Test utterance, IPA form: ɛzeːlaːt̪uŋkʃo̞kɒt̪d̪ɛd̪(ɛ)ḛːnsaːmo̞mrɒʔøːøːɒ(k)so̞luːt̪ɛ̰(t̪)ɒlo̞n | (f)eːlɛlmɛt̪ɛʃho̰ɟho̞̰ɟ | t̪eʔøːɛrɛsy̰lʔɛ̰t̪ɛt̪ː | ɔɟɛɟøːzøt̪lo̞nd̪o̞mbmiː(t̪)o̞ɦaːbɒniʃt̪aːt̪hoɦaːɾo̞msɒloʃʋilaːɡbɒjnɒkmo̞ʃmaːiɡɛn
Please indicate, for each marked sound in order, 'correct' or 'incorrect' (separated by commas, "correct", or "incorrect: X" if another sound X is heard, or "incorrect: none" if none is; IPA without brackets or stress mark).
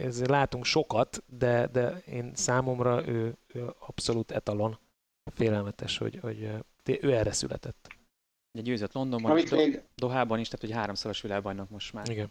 correct, incorrect: p, correct, correct, incorrect: d̪